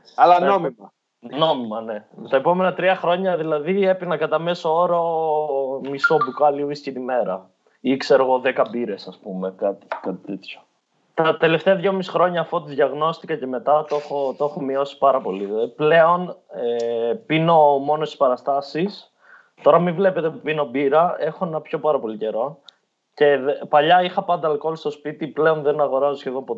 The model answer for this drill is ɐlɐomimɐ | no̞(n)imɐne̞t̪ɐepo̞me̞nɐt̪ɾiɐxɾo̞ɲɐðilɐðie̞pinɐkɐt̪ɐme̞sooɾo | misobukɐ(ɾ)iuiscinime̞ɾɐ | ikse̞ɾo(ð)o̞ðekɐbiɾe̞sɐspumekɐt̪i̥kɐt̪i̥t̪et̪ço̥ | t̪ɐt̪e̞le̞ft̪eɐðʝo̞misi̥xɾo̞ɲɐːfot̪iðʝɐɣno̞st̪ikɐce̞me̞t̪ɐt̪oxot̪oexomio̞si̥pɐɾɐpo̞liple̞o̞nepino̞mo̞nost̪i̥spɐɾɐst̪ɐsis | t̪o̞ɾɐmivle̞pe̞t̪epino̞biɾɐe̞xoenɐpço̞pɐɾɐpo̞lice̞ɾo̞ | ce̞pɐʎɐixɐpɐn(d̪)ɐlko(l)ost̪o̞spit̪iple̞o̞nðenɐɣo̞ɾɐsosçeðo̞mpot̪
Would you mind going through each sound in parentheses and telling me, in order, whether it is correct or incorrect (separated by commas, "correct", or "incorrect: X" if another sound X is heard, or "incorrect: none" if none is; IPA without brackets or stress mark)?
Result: incorrect: m, incorrect: l, incorrect: ɣ, correct, correct